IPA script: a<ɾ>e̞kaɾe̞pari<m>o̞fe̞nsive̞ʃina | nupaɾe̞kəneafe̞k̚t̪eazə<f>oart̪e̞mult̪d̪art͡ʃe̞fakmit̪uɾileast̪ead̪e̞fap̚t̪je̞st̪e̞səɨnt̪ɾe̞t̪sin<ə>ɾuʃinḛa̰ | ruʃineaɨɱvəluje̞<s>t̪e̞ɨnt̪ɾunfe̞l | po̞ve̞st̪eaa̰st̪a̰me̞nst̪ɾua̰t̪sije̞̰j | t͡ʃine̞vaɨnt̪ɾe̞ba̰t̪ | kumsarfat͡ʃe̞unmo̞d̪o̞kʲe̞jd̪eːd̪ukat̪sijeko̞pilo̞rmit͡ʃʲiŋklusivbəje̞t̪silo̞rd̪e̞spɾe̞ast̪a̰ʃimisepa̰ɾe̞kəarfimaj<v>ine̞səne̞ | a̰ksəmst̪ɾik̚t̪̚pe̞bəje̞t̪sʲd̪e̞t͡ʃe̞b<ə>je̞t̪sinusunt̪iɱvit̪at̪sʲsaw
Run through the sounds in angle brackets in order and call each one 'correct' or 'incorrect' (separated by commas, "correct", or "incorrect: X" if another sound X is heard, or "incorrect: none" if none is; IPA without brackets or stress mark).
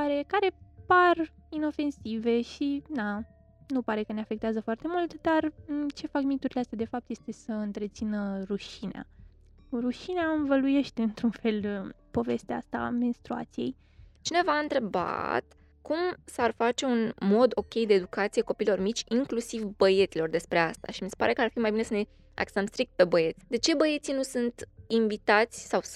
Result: correct, incorrect: n, correct, correct, incorrect: ʃ, incorrect: b, correct